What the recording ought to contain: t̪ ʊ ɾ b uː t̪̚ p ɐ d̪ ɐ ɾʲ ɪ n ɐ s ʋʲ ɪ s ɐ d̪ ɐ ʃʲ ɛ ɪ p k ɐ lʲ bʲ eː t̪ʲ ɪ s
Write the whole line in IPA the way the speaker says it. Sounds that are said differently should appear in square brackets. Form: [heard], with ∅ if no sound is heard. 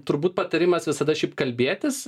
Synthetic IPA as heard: t̪ ʊ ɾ b uː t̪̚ p ɐ [t̪] ɐ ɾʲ ɪ [m] ɐ s ʋʲ ɪ s ɐ d̪ ɐ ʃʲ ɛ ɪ p k ɐ lʲ bʲ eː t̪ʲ ɪ s